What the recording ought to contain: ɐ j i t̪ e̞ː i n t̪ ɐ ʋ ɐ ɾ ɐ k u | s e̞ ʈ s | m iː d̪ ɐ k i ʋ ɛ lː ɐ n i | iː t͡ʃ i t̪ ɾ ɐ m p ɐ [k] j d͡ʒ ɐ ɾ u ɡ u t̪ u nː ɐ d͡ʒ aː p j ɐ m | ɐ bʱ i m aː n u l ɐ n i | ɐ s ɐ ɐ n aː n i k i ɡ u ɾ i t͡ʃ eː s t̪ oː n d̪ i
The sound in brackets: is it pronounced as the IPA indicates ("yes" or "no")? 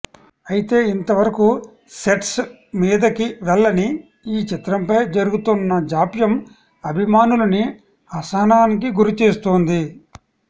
no